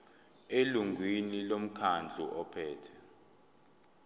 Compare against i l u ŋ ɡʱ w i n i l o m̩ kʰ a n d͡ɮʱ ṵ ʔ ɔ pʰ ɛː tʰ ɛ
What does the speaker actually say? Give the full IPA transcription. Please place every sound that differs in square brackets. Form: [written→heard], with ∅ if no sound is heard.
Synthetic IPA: [i→e] l u ŋ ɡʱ w i n i l o m̩ kʰ a n d͡ɮʱ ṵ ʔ ɔ pʰ ɛː tʰ ɛ